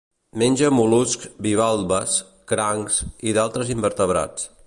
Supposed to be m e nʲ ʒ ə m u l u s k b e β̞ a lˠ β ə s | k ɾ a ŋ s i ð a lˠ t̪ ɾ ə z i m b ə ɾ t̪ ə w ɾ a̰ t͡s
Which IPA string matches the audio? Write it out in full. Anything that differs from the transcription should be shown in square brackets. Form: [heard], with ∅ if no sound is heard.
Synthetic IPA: m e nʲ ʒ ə m u l u s k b [i] β̞ a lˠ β ə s | k ɾ a ŋ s i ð a lˠ t̪ ɾ ə z i m b ə ɾ t̪ ə [β] ɾ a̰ t͡s